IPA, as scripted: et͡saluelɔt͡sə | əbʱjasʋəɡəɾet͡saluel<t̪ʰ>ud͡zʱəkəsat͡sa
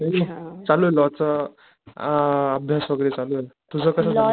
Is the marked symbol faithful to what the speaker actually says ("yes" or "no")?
no